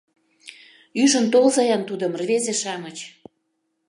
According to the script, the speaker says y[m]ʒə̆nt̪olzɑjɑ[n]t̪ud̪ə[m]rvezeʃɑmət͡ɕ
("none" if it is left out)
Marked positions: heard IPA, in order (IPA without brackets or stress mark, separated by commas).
none, n, m